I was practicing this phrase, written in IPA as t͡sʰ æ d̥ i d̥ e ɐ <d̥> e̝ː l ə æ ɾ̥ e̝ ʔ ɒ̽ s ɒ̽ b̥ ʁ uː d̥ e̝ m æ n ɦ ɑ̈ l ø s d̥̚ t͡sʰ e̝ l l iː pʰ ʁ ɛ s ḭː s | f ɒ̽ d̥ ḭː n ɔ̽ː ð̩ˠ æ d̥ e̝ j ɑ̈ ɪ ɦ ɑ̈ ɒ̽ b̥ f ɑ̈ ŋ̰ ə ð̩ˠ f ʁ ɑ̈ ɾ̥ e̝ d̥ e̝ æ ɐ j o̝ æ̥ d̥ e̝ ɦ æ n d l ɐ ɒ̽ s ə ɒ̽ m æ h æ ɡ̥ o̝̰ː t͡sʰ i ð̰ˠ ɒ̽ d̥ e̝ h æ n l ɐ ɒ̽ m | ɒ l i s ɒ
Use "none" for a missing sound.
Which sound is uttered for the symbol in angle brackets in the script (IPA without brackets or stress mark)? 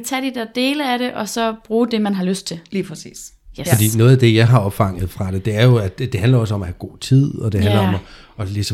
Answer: d̥